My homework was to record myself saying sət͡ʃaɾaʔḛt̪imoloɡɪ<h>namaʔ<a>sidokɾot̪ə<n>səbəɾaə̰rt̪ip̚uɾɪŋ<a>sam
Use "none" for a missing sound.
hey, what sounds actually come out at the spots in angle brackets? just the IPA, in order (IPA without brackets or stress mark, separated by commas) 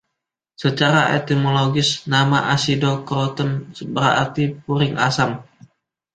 s, a, n, a